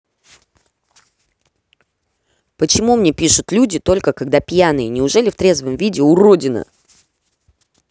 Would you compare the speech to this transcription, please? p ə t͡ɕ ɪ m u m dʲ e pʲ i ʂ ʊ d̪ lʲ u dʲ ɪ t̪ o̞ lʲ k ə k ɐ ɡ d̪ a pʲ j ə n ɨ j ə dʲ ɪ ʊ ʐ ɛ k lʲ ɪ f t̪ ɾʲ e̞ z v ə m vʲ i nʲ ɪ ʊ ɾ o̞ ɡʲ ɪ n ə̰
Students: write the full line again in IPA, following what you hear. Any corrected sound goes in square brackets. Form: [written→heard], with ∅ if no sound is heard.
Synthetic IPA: p ə t͡ɕ ɪ m u m [dʲ→nʲ] e pʲ i ʂ ʊ [d̪→t̪] lʲ u dʲ ɪ t̪ o̞ lʲ k ə k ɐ ɡ d̪ a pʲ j [ə→a] n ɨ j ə [dʲ→nʲ] ɪ ʊ ʐ ɛ [k→∅] lʲ ɪ f t̪ ɾʲ e̞ z v ə m vʲ i [nʲ→dʲ] ɪ ʊ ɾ o̞ [ɡʲ→dʲ] ɪ n ə̰